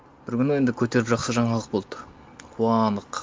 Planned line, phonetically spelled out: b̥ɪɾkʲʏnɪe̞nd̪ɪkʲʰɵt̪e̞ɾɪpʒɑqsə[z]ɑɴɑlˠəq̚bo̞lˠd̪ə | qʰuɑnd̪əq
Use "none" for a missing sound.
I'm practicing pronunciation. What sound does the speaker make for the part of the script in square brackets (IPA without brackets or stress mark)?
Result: ʒ